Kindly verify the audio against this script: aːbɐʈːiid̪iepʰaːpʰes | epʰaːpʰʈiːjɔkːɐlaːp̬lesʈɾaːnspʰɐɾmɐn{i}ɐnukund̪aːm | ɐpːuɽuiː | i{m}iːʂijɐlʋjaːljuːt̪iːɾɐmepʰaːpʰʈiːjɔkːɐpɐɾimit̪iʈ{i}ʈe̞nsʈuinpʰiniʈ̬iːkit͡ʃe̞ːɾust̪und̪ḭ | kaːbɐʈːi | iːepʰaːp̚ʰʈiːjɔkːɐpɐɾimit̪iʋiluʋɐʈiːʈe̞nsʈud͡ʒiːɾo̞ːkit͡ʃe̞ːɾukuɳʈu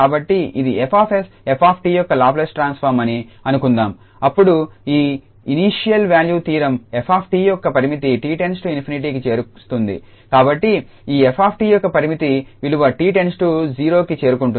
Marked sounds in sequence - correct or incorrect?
correct, incorrect: n, incorrect: iː

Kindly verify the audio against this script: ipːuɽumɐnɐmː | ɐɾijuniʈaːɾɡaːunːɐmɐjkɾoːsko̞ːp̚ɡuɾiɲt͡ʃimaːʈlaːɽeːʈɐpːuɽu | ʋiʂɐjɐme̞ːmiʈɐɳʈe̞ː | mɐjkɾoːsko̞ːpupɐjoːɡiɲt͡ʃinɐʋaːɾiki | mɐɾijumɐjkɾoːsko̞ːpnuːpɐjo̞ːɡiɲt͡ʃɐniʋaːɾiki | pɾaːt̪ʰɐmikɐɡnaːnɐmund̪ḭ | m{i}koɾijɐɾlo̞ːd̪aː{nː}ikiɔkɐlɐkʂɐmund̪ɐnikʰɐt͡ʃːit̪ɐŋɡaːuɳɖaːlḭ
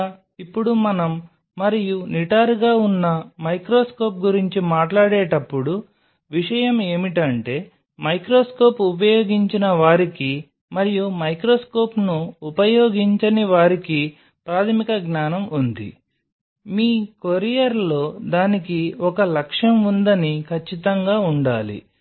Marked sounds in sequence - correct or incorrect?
incorrect: iː, incorrect: n

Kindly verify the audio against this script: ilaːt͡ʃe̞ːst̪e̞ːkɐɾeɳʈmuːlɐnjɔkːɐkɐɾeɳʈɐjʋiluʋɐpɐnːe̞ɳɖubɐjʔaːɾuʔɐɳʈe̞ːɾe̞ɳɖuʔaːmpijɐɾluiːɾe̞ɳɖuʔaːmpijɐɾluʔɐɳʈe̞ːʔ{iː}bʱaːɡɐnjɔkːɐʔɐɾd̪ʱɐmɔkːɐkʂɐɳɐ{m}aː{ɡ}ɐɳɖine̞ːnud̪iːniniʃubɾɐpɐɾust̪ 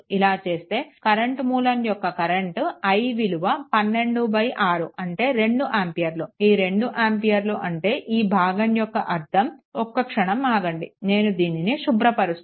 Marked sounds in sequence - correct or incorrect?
correct, correct, correct

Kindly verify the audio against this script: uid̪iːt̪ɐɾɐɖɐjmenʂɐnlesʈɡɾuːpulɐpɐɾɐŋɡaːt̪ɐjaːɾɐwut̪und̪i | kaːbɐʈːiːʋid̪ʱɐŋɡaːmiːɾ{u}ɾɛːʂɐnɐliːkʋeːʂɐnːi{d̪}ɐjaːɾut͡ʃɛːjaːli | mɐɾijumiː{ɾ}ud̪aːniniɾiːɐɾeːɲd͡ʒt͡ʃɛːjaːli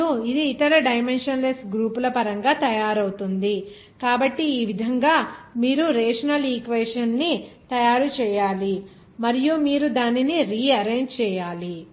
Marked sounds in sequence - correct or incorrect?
correct, incorrect: t̪, correct

